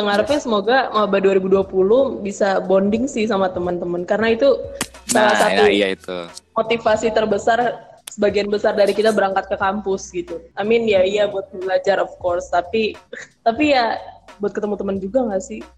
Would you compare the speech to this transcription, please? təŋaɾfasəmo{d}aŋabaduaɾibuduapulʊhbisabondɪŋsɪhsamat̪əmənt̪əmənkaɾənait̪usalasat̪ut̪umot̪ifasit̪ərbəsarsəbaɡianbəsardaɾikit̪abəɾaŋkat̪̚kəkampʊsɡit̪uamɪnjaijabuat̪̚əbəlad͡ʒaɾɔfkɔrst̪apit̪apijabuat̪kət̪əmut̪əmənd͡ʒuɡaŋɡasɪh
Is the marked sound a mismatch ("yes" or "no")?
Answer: yes